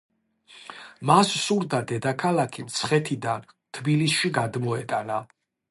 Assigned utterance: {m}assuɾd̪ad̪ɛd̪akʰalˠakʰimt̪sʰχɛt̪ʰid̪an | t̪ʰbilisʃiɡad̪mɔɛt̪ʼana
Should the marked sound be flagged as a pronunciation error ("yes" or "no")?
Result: no